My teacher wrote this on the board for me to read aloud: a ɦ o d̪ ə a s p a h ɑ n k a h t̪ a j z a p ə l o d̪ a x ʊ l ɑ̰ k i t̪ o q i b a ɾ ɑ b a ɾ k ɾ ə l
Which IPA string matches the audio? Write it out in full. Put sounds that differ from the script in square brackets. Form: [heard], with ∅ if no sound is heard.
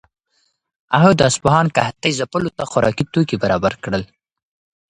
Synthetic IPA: a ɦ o d̪ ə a s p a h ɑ n k a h t̪ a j z a p ə l o [t̪] a x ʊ [ɾ] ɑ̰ k i t̪ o [k] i b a ɾ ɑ b a ɾ k [ɽ] ə l

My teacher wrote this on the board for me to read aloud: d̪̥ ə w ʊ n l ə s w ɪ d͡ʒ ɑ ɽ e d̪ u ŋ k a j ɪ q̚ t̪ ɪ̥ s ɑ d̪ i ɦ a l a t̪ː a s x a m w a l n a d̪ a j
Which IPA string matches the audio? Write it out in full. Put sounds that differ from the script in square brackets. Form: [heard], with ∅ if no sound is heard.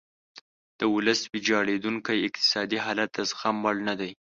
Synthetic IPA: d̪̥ ə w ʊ [∅] l ə s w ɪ d͡ʒ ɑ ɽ e d̪ u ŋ k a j ɪ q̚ t̪ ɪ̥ s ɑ d̪ i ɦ [ɑ] l a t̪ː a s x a m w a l n a d̪ a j

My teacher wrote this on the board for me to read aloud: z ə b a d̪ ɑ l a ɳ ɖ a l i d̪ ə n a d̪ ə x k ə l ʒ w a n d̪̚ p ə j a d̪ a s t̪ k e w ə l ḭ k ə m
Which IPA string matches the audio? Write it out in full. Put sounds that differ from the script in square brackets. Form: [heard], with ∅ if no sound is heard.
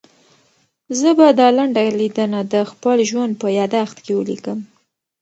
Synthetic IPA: z ə b a d̪ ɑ l a ɳ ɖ a l i d̪ ə n a d̪ ə x [p] ə l ʒ w a n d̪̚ p ə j [ɑ] d̪ a [x] t̪ k e w ə l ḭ k ə m

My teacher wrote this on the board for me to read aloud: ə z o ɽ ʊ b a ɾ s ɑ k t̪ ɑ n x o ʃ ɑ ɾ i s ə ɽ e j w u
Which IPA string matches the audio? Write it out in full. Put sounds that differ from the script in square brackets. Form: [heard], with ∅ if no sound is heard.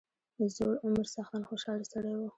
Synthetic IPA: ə z o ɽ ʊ [m] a ɾ s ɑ [x] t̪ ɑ n x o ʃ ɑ [l] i s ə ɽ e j w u

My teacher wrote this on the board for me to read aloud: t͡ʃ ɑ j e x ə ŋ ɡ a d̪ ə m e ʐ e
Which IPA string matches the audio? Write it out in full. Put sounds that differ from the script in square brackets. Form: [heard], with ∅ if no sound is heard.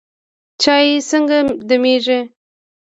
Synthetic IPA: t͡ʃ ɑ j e [s] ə ŋ ɡ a d̪ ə m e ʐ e

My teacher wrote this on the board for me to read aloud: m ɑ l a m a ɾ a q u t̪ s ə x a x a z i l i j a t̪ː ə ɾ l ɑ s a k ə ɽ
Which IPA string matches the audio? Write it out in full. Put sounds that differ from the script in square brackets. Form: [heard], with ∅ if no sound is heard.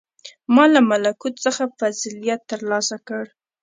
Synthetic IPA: m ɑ l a m a [l] a [k] u t̪ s ə x a [f] a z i l i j a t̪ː ə ɾ l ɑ s a k ə ɽ

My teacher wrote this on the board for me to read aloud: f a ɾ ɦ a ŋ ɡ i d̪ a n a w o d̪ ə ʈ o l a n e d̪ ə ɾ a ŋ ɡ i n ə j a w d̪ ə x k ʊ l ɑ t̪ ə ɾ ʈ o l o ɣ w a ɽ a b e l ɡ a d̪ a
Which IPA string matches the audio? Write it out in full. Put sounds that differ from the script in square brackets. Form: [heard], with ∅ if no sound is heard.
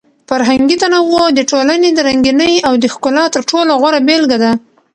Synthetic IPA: f a ɾ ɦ a ŋ ɡ i [t̪] a n a w o d̪ ə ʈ o l a n e d̪ ə ɾ a ŋ ɡ i n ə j a w d̪ ə x k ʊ l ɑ t̪ ə ɾ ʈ o l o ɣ w a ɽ a b e l ɡ a d̪ a

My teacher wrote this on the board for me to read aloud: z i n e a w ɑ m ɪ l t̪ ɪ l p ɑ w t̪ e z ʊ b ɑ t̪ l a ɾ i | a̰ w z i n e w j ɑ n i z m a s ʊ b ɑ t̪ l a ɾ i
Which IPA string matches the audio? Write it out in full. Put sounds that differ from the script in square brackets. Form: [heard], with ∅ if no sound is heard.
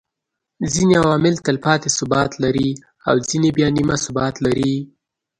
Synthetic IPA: z i n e a w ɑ m ɪ l t̪ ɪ l p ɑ [∅] t̪ e [s] ʊ b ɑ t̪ l a ɾ i | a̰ w z i n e [b] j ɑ n i [∅] m a s ʊ b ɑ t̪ l a ɾ i

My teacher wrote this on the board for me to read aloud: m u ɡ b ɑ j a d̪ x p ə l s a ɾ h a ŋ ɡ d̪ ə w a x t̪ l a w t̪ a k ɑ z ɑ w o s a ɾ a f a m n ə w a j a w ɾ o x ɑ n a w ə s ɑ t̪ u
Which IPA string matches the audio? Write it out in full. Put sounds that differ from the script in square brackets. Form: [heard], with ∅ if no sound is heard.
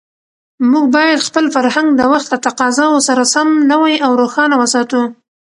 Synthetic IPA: m u ɡ b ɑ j a d̪ x p ə l [f] a ɾ h a ŋ ɡ d̪ ə w a x t̪ l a [∅] t̪ a [q] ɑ z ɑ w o s a ɾ a [s] a m n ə w a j a w ɾ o x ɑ n a w ə s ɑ t̪ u

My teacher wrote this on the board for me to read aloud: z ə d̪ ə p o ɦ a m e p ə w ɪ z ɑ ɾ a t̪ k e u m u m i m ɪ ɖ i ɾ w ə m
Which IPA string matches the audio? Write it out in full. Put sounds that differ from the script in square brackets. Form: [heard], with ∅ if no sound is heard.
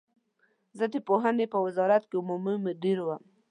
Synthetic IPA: z ə d̪ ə p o ɦ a [n] e p ə w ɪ z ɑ ɾ a t̪ k e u m u m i m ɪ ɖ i ɾ w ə m

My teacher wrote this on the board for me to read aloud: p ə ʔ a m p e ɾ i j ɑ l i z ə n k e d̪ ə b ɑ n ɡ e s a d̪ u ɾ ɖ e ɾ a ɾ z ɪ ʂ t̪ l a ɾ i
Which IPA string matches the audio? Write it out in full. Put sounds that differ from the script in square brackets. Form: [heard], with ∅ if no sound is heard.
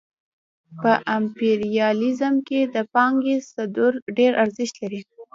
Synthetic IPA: p ə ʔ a m p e ɾ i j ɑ l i z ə [m] k e d̪ ə [p] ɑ [ŋ] ɡ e s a d̪ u ɾ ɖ e ɾ a ɾ z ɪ [ʃ] t̪ l a ɾ i

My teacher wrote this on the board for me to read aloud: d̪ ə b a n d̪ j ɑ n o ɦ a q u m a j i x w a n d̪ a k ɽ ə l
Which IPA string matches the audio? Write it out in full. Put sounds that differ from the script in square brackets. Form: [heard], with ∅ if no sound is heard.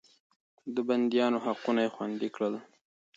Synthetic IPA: d̪ ə b a n d̪ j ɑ n o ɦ a q u [n] a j [e] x w a n d̪ [i] k ɽ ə l

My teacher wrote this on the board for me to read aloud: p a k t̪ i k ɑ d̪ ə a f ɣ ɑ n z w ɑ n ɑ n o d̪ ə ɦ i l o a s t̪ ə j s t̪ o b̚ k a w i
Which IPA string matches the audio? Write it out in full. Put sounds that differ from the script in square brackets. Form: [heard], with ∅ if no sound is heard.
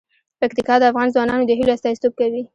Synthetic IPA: p a k t̪ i k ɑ d̪ ə a f ɣ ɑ n z w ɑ n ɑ n o d̪ ə ɦ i l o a s t̪ [ɑ] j s t̪ o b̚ k a w i

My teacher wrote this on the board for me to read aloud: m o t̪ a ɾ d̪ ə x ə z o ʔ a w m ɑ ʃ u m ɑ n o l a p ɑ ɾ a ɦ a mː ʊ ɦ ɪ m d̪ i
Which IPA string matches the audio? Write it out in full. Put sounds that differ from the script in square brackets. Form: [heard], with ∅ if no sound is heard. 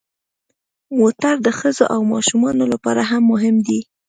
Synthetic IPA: m o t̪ a ɾ d̪ ə x ə z o ʔ a w m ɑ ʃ u m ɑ n o l a p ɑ ɾ a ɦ a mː ʊ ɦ ɪ m d̪ i

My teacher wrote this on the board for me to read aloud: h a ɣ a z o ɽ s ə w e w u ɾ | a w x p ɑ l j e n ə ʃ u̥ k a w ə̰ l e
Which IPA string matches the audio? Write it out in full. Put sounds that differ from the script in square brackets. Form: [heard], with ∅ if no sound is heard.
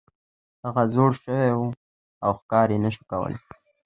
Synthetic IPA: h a ɣ a z o ɽ [ʃ] ə w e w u [∅] | a w x [k] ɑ [ɾ] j e n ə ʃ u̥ k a w ə̰ l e

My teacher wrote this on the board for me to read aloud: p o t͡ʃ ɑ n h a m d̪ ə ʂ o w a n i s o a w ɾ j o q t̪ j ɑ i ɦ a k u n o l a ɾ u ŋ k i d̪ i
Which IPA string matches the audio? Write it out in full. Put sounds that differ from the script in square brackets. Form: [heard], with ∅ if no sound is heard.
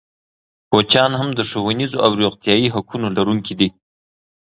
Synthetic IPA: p o t͡ʃ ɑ n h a m d̪ ə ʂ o w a n i [z] o a w ɾ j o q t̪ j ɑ i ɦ a k u n o l a ɾ u ŋ k i d̪ i

